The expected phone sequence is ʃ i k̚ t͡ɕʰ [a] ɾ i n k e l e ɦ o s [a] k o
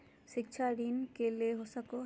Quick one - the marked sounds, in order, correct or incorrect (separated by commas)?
correct, correct